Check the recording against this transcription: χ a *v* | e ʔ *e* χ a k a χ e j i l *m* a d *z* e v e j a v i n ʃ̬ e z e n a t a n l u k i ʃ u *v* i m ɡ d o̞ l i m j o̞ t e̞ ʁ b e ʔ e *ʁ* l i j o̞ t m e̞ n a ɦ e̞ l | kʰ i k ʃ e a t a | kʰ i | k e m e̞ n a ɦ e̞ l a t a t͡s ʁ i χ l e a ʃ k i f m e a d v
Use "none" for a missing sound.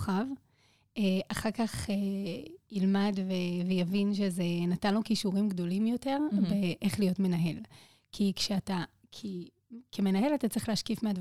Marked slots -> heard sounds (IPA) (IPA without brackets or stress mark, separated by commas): v, a, m, v, ʁ, χ